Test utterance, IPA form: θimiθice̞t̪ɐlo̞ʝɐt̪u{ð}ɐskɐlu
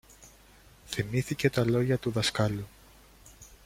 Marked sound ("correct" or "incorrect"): correct